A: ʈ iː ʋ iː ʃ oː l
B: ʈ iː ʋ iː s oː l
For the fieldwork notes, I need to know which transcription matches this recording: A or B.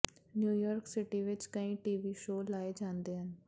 A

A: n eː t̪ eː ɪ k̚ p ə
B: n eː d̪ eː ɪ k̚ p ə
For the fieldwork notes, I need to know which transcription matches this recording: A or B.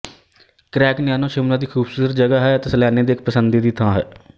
B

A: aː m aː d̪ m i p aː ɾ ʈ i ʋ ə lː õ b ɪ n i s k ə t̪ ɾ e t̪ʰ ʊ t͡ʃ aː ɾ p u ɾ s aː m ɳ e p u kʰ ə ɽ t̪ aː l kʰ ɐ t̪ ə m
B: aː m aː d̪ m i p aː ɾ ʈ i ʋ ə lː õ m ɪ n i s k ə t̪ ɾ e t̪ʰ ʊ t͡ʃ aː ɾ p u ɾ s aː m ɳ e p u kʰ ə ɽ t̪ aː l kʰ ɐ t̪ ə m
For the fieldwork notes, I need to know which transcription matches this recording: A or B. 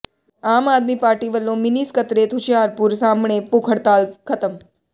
B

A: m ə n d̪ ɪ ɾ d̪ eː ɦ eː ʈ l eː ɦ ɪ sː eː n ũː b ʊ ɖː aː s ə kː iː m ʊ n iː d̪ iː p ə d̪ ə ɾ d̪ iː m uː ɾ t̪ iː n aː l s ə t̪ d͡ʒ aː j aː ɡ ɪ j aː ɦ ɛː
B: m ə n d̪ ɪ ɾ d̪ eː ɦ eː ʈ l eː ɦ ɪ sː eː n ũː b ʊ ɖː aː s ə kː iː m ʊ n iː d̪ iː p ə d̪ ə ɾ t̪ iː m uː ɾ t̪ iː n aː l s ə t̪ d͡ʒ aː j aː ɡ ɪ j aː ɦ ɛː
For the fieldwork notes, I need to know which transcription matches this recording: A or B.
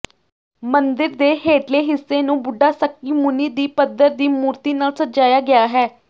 A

